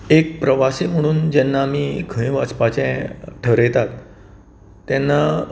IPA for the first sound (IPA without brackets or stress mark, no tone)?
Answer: e